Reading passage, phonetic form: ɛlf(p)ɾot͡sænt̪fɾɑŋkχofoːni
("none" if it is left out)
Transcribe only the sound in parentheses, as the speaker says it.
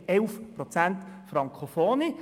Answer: p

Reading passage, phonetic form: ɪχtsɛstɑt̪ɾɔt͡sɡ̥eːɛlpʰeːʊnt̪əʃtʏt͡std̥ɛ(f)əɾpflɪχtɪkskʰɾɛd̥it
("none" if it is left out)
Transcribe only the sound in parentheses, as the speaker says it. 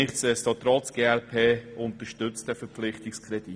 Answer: f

